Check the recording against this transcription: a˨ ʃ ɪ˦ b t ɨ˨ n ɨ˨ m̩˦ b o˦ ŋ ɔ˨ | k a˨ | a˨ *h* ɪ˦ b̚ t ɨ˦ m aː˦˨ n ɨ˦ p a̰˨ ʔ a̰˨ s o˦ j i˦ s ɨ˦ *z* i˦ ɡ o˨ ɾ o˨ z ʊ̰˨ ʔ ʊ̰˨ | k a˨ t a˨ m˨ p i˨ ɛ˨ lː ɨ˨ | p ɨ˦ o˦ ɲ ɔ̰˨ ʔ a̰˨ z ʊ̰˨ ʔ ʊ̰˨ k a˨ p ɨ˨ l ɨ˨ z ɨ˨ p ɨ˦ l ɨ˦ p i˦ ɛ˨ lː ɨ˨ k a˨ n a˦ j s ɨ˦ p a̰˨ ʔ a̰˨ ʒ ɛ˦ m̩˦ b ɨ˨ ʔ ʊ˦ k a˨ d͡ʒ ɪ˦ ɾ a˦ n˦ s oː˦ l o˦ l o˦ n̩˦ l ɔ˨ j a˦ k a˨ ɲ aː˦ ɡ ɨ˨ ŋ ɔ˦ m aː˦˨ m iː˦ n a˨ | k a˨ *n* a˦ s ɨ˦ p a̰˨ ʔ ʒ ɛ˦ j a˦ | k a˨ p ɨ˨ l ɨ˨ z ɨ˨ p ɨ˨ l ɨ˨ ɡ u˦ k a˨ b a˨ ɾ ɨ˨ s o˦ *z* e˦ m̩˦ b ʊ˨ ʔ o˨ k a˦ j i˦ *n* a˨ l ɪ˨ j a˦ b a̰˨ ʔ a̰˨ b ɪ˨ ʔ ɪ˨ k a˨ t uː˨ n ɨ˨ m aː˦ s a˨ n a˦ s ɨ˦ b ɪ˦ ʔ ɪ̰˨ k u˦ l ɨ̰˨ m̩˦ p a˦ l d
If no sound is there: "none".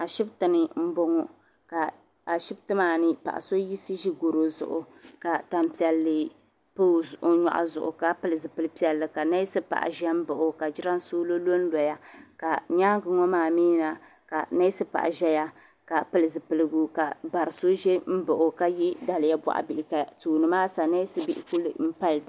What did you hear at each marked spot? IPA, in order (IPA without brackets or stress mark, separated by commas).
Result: ʃ, ʒ, n, ʒ, d